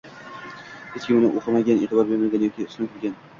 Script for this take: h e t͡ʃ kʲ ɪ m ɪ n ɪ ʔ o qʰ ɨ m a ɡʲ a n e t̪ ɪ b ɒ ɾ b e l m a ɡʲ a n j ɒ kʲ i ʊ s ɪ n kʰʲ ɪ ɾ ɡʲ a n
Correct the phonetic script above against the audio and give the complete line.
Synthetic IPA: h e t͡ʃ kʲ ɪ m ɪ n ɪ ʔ o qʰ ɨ m a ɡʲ a n e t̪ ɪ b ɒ ɾ b e ɾ m a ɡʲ a n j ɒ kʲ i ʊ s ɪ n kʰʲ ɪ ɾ ɡʲ a n